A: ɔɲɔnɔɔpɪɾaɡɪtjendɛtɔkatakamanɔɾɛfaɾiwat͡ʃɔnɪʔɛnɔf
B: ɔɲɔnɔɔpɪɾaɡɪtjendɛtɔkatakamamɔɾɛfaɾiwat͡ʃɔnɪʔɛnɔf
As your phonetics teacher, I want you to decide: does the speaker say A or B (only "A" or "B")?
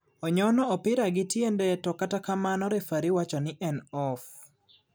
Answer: A